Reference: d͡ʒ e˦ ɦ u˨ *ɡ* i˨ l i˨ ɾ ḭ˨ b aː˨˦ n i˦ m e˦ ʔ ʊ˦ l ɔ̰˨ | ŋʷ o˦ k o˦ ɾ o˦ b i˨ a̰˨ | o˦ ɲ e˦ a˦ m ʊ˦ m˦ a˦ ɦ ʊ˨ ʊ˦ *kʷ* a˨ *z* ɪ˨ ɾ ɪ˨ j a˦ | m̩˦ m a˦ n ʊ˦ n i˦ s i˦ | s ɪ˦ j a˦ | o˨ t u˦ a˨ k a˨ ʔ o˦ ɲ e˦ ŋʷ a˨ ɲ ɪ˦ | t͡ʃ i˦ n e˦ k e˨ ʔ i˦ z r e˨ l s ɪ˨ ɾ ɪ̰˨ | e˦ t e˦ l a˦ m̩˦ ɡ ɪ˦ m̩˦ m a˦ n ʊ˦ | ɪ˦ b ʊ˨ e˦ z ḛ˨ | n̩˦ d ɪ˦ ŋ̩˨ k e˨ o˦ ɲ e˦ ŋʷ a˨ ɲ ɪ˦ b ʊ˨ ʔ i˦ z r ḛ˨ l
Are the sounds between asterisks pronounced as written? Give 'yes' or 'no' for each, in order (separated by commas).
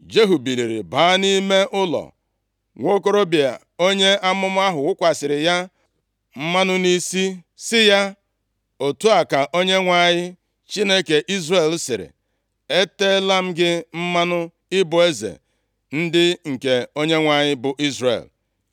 no, yes, no